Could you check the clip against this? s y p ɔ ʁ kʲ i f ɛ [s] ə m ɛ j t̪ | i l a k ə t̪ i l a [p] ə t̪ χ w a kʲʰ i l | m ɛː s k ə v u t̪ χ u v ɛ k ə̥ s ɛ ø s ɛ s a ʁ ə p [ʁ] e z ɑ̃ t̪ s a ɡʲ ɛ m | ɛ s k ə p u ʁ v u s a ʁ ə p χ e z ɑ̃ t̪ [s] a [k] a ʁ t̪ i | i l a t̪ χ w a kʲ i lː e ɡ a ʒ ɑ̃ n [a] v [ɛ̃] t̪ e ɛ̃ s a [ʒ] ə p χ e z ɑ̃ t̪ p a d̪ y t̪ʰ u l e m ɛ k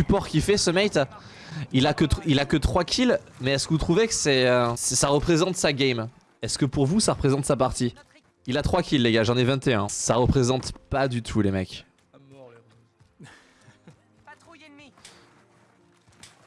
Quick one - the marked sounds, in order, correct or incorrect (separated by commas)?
correct, incorrect, incorrect, correct, incorrect, incorrect, correct, incorrect